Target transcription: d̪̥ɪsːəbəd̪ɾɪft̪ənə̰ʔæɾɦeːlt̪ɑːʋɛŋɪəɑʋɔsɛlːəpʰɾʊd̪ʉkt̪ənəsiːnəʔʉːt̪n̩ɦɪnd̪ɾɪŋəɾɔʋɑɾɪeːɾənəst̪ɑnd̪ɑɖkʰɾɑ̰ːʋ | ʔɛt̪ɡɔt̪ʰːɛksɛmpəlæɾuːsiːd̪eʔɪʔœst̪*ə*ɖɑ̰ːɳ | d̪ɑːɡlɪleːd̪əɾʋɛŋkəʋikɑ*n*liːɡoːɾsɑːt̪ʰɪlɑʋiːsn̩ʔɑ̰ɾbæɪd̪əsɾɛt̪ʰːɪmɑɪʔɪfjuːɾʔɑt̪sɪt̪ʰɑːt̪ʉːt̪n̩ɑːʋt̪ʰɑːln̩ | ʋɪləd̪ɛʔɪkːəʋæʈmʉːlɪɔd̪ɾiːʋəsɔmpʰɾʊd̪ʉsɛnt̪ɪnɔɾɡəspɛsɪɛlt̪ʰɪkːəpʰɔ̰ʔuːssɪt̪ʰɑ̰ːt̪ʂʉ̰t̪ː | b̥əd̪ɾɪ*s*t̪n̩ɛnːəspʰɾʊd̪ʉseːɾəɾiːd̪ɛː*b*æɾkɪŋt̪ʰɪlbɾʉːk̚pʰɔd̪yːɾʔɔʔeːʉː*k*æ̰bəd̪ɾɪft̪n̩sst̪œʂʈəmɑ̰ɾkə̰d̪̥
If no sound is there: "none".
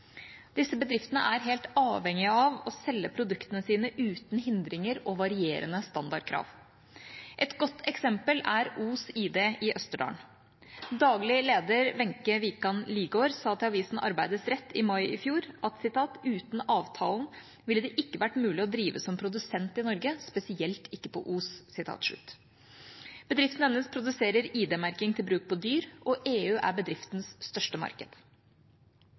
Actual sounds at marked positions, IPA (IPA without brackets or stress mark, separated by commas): ə, n, f, m, ʔ